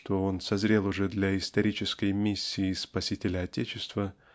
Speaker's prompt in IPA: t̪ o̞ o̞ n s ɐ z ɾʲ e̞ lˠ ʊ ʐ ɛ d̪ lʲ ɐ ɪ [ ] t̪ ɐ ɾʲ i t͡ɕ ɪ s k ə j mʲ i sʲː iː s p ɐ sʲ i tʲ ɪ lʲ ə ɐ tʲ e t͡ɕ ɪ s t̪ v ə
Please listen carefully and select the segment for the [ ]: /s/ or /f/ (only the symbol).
s